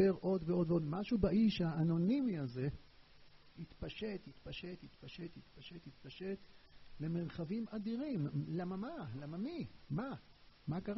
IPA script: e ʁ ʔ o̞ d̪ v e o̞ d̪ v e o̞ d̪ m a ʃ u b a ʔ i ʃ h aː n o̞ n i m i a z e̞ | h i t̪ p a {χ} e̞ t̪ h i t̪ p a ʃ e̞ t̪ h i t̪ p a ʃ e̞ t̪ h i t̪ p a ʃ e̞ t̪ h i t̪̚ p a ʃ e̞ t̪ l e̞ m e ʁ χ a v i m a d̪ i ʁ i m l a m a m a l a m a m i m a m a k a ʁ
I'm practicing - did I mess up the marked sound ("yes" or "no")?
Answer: yes